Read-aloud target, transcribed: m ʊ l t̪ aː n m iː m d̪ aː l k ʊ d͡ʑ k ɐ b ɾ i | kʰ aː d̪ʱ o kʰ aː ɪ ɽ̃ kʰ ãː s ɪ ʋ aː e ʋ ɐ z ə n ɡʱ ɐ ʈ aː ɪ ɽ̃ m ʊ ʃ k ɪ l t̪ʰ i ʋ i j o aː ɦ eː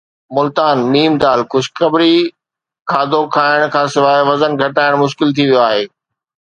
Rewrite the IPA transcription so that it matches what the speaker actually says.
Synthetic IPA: m ʊ l t̪ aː n m iː m d̪ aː l k ʊ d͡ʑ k ɐ b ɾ i | kʰ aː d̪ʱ o kʰ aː ɪ ɽ̃ kʰ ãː s ɪ ʋ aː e ʋ ɐ z ə n ɡʱ ɐ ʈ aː ɪ ɽ̃ m ʊ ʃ k ɪ l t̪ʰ i ʋ i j o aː ɦ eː